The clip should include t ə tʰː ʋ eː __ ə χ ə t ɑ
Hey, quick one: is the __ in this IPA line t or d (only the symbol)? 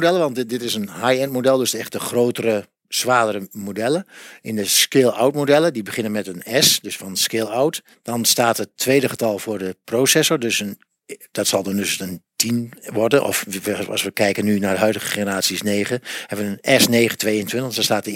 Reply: d